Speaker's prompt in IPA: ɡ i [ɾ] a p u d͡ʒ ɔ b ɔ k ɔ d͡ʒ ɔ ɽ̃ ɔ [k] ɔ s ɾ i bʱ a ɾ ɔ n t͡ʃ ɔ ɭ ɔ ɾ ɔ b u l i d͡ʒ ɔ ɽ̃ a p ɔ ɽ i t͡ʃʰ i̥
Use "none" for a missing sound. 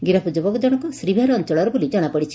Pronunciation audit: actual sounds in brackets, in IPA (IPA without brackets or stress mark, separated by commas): ɾ, k